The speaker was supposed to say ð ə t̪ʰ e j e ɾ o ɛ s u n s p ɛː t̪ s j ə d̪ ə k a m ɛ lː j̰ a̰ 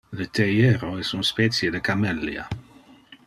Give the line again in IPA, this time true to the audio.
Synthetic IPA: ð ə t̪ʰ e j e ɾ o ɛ s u n s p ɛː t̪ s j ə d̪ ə k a m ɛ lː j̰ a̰